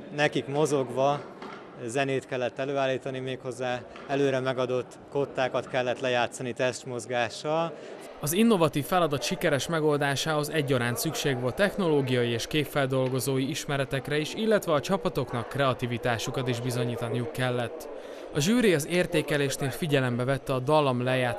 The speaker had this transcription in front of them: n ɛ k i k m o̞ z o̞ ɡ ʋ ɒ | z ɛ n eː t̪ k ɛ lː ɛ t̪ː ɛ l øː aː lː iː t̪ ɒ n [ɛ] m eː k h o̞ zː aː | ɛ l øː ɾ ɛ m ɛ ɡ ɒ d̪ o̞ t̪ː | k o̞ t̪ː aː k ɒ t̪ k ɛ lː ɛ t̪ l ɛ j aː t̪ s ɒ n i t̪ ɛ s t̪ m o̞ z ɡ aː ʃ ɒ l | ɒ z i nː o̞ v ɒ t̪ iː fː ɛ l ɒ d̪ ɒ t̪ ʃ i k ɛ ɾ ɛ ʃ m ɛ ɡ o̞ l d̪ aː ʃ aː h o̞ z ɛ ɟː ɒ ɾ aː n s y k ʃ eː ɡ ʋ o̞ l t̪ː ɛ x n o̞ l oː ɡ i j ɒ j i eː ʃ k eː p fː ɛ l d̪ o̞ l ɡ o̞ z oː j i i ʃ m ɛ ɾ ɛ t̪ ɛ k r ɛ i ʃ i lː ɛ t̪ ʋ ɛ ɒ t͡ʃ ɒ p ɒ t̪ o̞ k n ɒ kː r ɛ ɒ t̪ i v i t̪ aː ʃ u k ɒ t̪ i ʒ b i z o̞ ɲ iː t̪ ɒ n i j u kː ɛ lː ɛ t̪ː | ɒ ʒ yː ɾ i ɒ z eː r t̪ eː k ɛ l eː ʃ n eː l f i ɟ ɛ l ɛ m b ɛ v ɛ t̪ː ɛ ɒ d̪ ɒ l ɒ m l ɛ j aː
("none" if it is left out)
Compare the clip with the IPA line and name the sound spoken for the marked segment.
i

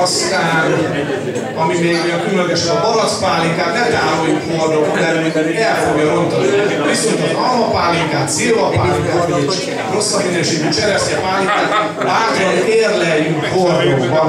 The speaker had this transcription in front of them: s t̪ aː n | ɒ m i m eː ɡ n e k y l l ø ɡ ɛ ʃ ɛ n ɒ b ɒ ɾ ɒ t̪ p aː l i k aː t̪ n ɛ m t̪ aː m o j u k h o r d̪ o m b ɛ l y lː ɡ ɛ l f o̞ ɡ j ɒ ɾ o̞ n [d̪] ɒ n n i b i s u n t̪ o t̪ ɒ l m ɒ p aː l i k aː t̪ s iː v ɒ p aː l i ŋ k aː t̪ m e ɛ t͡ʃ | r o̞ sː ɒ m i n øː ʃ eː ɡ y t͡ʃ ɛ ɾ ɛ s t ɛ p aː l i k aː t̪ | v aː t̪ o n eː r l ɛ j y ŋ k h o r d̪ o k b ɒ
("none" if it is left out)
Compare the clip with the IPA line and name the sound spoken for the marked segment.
t̪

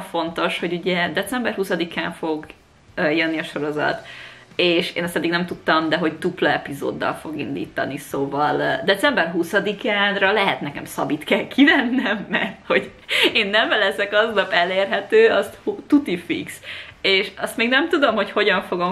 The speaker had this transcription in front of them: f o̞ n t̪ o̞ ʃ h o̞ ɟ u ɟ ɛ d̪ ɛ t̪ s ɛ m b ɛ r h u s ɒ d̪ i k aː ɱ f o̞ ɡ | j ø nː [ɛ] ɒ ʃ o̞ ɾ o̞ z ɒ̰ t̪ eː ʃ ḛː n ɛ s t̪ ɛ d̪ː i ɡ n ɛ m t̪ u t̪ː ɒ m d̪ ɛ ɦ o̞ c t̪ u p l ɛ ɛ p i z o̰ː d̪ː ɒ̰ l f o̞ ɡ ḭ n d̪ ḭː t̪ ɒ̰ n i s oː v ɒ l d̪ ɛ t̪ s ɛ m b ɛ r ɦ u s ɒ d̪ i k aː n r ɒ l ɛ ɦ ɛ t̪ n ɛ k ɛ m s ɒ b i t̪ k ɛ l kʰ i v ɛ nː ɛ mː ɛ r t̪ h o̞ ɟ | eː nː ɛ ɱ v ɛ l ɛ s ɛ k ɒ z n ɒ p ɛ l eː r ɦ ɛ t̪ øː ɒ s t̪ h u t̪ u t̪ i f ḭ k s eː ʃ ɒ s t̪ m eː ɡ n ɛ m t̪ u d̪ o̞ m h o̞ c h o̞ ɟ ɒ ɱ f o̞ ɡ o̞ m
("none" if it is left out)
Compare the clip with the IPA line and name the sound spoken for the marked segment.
i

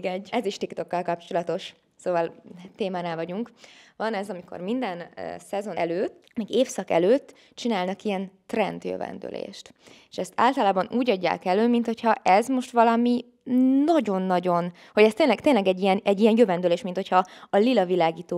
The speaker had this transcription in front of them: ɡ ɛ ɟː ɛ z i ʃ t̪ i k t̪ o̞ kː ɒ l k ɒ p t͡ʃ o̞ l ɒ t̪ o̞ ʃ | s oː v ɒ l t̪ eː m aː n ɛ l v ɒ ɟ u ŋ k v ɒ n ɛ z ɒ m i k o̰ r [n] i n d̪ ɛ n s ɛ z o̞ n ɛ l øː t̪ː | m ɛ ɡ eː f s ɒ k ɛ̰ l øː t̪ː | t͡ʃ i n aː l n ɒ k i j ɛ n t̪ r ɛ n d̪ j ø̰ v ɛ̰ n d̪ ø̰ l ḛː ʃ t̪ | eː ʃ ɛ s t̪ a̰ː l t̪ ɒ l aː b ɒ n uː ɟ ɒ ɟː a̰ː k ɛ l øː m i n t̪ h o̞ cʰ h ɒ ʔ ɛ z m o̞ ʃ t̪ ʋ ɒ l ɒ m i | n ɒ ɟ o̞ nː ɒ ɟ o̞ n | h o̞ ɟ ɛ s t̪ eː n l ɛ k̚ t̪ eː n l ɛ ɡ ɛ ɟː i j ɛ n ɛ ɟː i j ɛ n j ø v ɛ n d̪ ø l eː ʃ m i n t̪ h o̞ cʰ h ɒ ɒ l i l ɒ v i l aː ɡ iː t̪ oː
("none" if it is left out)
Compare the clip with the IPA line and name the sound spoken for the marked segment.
m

